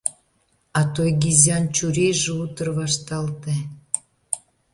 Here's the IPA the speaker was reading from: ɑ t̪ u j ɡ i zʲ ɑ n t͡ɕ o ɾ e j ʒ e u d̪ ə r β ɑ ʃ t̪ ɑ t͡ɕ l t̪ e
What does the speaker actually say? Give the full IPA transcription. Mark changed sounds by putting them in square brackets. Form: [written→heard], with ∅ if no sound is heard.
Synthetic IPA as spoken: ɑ t̪ [u→o] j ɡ i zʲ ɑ n t͡ɕ [o→u] ɾ e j ʒ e u [d̪→t̪] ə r β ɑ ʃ t̪ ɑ [t͡ɕ→∅] l t̪ e